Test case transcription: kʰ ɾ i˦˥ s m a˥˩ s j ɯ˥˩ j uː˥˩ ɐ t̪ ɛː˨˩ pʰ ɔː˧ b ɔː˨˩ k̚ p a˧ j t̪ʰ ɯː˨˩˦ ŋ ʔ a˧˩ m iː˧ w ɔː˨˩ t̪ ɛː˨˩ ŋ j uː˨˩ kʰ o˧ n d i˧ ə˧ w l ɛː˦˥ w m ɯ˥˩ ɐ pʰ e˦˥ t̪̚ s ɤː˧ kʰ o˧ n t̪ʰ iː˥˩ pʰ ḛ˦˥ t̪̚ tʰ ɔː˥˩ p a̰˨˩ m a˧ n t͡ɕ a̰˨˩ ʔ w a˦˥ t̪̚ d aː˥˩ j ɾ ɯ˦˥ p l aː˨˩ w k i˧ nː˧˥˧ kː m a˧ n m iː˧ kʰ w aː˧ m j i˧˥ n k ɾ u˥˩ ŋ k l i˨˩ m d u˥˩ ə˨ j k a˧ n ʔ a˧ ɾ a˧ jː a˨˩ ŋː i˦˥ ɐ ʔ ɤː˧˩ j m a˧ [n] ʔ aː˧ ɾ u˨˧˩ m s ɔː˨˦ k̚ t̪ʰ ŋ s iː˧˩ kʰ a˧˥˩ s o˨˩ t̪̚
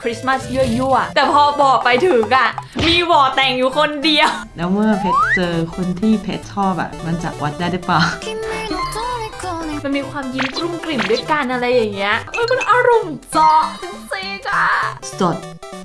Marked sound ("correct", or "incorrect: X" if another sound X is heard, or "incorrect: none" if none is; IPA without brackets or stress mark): correct